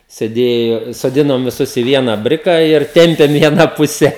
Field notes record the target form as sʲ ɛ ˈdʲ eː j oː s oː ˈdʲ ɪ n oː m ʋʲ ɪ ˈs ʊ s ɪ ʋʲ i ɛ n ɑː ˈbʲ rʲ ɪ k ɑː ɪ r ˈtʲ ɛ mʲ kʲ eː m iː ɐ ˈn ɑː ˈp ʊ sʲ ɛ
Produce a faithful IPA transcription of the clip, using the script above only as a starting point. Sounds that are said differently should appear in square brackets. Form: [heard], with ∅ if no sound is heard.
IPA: sʲ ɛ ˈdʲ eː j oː s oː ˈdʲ ɪ n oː m ʋʲ ɪ ˈs ʊ s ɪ ʋʲ i ɛ n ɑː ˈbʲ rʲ ɪ k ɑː ɪ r ˈtʲ ɛ mʲ [pʲ] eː m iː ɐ ˈn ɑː ˈp ʊ sʲ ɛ

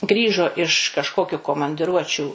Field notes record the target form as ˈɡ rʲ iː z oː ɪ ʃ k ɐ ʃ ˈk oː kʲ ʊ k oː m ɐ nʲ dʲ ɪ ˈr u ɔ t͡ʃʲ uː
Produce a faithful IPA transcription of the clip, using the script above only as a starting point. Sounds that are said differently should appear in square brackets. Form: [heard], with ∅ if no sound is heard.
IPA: ˈɡ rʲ iː [ʒ] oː ɪ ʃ k ɐ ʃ ˈk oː kʲ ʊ k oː m ɐ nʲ dʲ ɪ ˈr u ɔ t͡ʃʲ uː

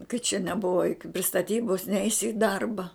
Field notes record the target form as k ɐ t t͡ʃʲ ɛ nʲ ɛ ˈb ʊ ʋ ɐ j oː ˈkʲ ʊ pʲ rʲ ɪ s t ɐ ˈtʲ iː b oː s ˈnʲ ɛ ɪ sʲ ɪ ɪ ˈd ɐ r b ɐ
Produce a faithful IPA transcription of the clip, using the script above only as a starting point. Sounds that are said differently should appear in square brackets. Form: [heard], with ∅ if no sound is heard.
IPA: k ɐ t t͡ʃʲ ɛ nʲ ɛ ˈb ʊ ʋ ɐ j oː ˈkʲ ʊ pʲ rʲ ɪ s t ɐ ˈtʲ iː b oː s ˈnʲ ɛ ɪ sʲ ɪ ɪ ˈd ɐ r b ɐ

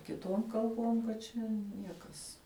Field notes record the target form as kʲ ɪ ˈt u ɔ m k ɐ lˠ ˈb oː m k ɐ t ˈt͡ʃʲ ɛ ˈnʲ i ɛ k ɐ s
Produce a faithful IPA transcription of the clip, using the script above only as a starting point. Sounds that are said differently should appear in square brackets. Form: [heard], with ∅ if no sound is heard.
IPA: kʲ ɪ ˈt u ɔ m k ɐ lˠ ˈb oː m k ɐ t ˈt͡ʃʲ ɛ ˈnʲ i ɛ k ɐ s

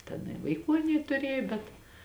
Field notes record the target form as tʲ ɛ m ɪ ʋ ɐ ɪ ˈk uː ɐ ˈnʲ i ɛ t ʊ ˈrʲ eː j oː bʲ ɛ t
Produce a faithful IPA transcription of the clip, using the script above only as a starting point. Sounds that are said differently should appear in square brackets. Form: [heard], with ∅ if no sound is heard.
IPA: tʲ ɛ [n] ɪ ʋ ɐ ɪ ˈk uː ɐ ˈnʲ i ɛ t ʊ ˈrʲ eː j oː bʲ ɛ t

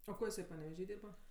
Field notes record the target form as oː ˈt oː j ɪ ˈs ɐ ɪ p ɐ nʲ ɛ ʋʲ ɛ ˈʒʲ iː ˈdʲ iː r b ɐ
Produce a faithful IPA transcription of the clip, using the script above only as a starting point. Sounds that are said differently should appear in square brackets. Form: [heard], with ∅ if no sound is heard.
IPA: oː [ˈk] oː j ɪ ˈs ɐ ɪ p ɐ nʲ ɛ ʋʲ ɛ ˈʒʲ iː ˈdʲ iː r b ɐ

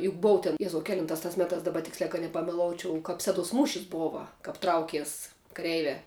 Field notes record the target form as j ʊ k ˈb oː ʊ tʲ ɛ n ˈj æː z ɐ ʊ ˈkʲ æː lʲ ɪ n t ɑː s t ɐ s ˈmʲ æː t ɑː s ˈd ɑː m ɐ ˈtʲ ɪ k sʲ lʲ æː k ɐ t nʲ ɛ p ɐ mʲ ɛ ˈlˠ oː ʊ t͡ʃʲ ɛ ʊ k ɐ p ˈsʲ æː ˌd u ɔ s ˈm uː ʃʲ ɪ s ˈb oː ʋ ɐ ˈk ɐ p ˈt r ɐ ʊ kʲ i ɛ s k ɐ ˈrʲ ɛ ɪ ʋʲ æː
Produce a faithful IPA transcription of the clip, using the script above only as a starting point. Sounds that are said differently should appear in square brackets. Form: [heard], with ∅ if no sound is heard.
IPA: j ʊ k ˈb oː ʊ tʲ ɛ n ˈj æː z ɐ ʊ ˈkʲ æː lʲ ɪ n t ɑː s t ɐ s ˈmʲ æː t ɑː s ˈd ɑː [b] ɐ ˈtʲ ɪ k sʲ lʲ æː k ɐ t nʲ ɛ p ɐ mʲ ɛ ˈlˠ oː ʊ t͡ʃʲ ɛ ʊ k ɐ p ˈsʲ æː ˌd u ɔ s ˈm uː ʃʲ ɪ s ˈb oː ʋ ɐ ˈk ɐ p ˈt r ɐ ʊ kʲ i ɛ s k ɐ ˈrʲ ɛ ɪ ʋʲ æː

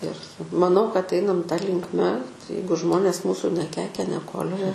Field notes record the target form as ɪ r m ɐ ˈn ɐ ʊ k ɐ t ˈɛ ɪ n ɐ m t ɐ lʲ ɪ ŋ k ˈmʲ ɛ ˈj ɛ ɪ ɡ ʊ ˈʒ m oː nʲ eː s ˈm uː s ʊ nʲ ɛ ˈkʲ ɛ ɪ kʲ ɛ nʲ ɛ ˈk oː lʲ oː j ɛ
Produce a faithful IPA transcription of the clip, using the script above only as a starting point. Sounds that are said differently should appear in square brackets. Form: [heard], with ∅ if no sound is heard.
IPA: ɪ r m ɐ ˈn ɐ ʊ k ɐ t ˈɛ ɪ n ɐ m t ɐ lʲ ɪ ŋ k ˈmʲ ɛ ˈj ɛ ɪ ɡ ʊ ˈʒ m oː nʲ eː s ˈm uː s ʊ nʲ ɛ ˈkʲ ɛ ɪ kʲ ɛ nʲ ɛ ˈk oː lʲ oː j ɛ

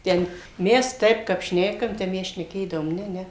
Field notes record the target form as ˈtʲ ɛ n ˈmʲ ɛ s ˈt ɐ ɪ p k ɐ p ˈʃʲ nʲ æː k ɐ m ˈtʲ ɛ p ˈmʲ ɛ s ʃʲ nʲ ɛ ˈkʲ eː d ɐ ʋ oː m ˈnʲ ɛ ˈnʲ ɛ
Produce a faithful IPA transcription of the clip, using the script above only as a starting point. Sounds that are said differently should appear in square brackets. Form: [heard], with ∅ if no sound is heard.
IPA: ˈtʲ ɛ n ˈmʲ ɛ s ˈt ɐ ɪ p k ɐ p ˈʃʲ nʲ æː k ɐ m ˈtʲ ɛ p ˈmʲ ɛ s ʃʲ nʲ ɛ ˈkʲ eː d ɐ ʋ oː m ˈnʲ ɛ ˈnʲ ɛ

